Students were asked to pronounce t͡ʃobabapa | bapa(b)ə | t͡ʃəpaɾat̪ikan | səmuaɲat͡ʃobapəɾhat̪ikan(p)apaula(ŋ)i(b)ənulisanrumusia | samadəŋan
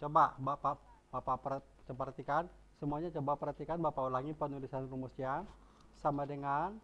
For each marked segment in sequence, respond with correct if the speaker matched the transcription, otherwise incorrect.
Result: incorrect, incorrect, correct, incorrect

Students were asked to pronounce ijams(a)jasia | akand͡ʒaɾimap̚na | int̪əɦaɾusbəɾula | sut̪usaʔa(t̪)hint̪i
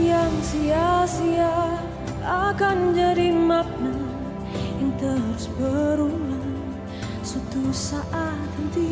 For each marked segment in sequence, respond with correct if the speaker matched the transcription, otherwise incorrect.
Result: incorrect, correct

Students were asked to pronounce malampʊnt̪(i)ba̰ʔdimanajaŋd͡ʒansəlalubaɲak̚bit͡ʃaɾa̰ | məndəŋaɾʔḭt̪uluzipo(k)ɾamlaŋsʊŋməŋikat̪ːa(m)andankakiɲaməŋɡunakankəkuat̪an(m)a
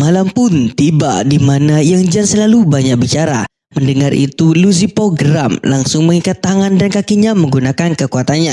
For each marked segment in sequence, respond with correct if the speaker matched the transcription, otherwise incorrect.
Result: correct, incorrect, incorrect, incorrect

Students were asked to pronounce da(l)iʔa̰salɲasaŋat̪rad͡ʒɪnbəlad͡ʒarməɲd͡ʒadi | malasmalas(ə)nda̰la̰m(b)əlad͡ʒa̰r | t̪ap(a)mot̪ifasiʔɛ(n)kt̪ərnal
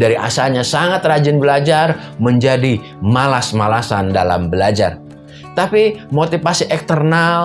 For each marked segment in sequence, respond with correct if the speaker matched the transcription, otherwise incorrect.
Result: incorrect, incorrect, correct, incorrect, incorrect

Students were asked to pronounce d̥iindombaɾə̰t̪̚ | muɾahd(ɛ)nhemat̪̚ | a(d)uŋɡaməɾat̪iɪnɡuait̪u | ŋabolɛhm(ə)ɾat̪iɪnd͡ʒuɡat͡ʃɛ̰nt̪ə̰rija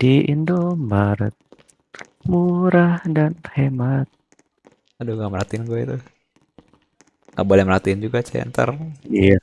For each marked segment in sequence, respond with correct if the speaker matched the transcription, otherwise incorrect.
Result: incorrect, correct, correct

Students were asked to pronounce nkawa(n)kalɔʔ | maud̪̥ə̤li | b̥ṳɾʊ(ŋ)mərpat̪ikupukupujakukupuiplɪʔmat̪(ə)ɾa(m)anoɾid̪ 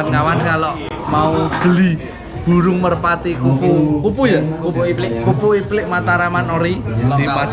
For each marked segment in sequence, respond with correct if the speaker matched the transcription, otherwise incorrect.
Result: correct, correct, incorrect, correct

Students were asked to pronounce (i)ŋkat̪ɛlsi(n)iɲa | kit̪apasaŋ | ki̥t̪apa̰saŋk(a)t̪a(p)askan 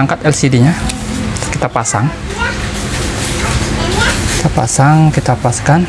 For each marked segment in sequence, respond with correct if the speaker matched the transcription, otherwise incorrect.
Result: incorrect, incorrect, incorrect, correct

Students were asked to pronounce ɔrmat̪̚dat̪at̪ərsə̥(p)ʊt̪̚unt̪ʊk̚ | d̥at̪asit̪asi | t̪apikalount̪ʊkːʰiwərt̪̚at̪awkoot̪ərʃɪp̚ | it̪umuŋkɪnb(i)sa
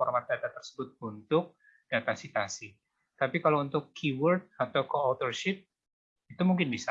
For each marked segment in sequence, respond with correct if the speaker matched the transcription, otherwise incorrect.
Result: incorrect, correct

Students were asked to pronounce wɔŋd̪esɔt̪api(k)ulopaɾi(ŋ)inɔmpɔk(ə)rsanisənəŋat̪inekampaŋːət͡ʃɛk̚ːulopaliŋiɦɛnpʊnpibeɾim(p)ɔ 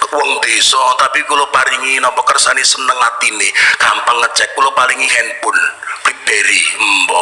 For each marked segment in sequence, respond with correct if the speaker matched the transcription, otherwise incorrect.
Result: correct, correct, correct, incorrect

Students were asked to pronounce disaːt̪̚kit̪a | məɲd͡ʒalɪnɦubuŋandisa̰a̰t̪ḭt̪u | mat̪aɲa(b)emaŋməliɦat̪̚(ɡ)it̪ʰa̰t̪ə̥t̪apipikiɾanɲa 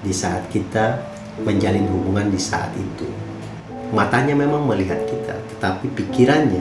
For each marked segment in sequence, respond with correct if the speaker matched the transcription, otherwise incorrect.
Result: incorrect, incorrect

